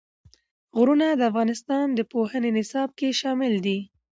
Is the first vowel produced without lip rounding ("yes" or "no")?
no